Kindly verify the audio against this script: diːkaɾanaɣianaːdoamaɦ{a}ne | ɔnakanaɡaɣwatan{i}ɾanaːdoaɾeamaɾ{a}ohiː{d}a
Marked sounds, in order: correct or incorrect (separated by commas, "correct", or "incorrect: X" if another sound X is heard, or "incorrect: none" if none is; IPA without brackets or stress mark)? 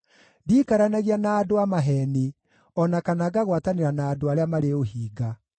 incorrect: ɛ, incorrect: e, incorrect: e, incorrect: ɡ